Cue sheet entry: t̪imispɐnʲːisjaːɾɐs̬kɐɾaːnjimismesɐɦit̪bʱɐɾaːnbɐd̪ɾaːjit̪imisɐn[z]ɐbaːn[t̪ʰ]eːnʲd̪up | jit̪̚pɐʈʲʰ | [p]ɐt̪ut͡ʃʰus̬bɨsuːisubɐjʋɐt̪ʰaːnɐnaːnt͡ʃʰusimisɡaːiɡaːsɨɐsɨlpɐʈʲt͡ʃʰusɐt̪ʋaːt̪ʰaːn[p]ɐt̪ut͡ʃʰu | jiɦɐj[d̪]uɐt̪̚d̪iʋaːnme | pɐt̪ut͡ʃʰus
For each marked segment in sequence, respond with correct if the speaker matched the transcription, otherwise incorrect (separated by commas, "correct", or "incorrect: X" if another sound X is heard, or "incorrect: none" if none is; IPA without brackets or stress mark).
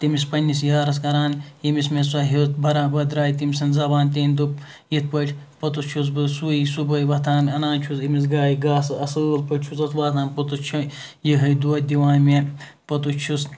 correct, incorrect: t̪, correct, correct, correct